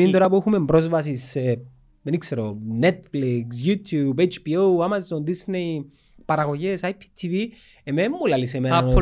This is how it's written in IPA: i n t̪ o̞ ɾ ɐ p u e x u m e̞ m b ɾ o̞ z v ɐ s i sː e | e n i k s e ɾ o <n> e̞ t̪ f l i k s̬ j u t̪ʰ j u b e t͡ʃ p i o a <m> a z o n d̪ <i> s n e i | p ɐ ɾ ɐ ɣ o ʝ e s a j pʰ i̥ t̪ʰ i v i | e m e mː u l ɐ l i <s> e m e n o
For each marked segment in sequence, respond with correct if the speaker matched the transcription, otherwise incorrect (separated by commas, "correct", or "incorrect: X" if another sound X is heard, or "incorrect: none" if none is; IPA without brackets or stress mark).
correct, correct, correct, correct